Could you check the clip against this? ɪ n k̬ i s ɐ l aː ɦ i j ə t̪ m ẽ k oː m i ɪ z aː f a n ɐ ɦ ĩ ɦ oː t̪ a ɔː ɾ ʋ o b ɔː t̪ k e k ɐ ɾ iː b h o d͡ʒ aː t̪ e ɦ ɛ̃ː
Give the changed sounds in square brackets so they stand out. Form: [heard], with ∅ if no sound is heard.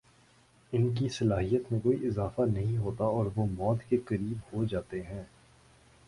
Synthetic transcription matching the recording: ɪ n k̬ i s ɐ l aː ɦ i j ə t̪ m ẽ k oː [∅] i ɪ z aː f a n ɐ ɦ ĩ ɦ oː t̪ a ɔː ɾ ʋ o [m] ɔː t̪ k e k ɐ ɾ iː b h o d͡ʒ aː t̪ e ɦ ɛ̃ː